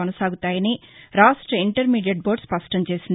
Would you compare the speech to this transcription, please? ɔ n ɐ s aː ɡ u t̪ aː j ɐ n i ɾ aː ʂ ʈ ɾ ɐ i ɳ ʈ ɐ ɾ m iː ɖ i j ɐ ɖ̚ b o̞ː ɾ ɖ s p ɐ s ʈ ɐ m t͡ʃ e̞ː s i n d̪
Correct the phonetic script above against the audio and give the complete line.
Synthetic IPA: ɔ n ɐ s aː ɡ u t̪ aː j ɐ n i ɾ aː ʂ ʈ ɾ ɐ i ɳ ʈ ɐ ɾ m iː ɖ i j ɐ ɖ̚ b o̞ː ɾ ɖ s p ɐ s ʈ ɐ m t͡ʃ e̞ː s i n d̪